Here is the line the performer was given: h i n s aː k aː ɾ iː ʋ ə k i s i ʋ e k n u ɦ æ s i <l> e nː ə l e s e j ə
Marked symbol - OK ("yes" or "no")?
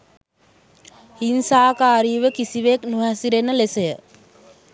no